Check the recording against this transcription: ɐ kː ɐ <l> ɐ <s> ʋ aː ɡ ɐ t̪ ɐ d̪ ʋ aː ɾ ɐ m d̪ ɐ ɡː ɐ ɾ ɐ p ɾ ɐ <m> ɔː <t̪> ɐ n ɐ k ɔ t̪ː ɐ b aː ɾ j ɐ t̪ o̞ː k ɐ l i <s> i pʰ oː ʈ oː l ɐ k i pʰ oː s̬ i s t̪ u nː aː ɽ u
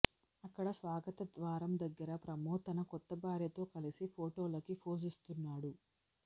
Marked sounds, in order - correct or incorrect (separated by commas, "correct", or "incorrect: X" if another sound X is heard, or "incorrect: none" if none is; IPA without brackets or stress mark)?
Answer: incorrect: ɽ, correct, correct, correct, correct